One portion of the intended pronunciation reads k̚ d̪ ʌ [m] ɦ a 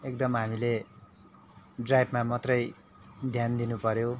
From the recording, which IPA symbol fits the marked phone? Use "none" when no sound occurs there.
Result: m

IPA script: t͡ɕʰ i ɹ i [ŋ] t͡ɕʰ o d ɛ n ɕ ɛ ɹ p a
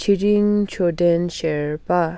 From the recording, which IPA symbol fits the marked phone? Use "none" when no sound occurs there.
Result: ŋ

